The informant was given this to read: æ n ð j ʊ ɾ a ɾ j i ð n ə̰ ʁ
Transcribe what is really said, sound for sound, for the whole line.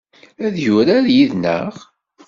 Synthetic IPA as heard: æ ð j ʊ ɾ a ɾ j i ð n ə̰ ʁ